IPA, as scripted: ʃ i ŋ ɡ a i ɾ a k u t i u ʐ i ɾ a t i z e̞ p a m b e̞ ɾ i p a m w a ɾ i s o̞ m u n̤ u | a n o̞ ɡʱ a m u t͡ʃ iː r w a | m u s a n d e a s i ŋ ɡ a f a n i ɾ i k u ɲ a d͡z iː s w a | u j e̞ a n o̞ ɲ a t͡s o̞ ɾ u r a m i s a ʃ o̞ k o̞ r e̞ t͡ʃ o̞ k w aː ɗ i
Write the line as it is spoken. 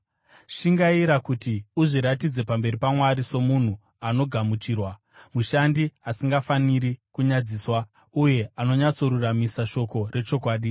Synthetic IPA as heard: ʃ i ŋ ɡ a i ɾ a k u t i u ʐ i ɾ a t i d͡z e̞ p a m b e̞ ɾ i p a m w a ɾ i s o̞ m u n̤ u | a n o̞ ɡʱ a m u t͡ʃ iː r w a | m u ʃ a n d i a s i ŋ ɡ a f a n i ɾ i k u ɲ a d͡z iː s w a | u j e̞ a n o̞ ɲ a t͡s o̞ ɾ u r a m i s a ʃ o̞ k o̞ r e̞ t͡ʃ o̞ k w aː ɗ i